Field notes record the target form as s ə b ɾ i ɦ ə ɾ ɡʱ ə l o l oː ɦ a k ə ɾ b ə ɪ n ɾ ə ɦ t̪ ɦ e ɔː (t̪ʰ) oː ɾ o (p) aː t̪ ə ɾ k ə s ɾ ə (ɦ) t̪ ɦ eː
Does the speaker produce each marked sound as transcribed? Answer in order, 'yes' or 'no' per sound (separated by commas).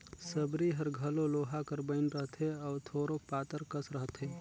yes, yes, yes